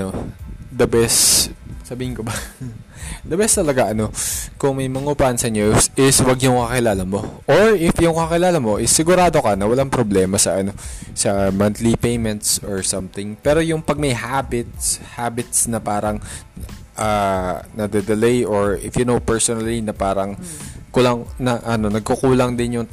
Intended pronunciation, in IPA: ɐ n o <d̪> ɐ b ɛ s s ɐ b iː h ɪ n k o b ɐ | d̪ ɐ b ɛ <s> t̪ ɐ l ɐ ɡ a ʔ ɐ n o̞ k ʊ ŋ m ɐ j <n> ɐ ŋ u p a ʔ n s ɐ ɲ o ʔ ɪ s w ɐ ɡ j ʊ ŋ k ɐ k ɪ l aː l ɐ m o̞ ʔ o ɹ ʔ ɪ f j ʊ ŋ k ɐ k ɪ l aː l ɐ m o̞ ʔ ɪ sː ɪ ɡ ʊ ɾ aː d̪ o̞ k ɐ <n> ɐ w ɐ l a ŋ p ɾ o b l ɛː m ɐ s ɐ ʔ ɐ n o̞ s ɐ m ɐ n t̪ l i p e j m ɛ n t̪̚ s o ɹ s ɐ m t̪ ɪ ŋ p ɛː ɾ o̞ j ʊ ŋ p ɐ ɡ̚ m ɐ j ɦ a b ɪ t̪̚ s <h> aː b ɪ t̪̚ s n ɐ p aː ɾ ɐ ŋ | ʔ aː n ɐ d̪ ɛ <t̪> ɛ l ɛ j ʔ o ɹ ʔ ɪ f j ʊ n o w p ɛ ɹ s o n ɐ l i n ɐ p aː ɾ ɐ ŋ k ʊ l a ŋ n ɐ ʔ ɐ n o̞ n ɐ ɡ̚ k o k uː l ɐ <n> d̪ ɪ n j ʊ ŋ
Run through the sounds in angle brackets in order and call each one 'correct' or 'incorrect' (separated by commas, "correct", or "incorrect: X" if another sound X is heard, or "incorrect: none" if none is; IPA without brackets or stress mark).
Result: correct, correct, incorrect: m, correct, correct, incorrect: d̪, incorrect: ŋ